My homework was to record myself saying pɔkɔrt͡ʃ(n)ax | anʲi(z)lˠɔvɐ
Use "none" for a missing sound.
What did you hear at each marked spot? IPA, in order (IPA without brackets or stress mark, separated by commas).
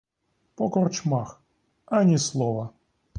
m, s